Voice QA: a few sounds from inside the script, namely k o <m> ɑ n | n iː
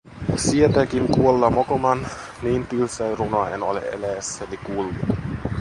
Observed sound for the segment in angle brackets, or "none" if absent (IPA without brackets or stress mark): m